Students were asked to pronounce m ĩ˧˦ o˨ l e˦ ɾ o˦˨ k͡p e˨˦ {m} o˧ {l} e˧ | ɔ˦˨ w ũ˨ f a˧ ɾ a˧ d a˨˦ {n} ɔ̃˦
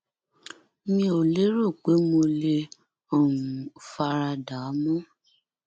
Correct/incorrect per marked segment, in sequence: correct, correct, incorrect: m

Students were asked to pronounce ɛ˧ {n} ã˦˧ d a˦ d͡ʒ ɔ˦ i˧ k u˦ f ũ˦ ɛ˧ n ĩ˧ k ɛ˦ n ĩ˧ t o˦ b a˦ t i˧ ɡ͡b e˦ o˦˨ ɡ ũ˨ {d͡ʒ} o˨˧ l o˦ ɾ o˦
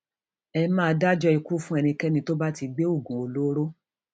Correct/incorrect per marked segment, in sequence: incorrect: m, incorrect: none

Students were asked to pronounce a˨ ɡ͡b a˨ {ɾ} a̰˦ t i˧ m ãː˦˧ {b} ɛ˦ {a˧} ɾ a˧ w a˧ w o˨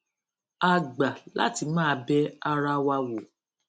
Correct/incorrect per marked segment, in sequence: incorrect: l, correct, correct

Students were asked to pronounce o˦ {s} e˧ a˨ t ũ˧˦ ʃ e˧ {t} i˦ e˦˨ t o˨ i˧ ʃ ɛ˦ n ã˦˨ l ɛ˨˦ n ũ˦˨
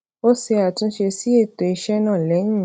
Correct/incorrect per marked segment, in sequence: correct, incorrect: s

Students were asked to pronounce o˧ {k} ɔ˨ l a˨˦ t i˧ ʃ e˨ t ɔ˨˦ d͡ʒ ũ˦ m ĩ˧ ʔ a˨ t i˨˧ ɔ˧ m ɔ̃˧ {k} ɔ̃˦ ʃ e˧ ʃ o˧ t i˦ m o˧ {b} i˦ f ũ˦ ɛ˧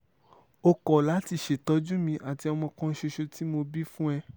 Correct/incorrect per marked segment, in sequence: correct, correct, correct

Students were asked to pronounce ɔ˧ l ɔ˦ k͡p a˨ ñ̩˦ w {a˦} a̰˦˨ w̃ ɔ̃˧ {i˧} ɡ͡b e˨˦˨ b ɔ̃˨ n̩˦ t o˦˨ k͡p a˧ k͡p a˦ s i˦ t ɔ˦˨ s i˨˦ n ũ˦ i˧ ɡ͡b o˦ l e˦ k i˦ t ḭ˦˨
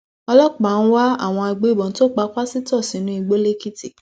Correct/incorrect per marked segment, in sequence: correct, incorrect: a˧

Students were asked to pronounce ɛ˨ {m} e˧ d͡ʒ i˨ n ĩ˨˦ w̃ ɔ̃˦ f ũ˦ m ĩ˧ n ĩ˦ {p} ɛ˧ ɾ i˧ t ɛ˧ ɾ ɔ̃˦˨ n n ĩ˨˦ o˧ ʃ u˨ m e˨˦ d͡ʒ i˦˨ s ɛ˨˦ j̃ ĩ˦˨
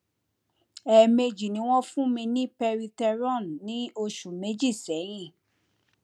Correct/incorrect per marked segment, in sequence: correct, correct

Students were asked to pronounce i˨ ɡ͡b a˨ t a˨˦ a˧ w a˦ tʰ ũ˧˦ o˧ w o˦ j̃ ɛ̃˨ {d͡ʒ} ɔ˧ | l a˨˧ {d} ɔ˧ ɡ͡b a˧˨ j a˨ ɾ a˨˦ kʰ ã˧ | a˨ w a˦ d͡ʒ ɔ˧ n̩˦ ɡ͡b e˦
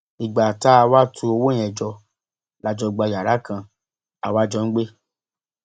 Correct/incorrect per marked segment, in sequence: correct, incorrect: d͡ʒ

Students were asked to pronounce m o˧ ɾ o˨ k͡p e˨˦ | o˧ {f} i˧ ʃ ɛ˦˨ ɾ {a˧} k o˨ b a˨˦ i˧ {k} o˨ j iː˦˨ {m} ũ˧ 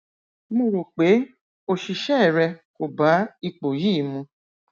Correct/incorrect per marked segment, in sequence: incorrect: ʃ, incorrect: ɛ˧, incorrect: k͡p, correct

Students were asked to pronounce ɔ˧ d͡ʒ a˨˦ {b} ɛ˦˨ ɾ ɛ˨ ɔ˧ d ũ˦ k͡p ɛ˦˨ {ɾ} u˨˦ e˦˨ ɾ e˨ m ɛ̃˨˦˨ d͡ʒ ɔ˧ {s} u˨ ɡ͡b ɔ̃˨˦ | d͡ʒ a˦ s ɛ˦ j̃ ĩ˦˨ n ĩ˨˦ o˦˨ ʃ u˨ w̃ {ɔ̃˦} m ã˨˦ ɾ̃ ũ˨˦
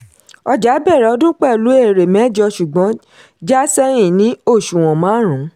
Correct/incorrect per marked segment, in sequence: correct, incorrect: l, incorrect: ʃ, incorrect: ɔ̃˨

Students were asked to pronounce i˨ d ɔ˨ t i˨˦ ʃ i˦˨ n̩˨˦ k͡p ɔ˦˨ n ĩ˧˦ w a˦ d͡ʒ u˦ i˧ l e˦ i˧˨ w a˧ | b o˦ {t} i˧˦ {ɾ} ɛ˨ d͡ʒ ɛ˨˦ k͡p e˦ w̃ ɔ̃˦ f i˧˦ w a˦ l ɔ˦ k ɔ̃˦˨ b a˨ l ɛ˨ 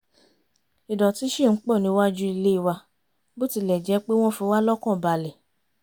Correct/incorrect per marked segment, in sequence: correct, incorrect: l

